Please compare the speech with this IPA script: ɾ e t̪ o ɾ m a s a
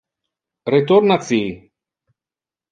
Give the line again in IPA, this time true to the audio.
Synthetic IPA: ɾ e t̪ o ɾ n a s i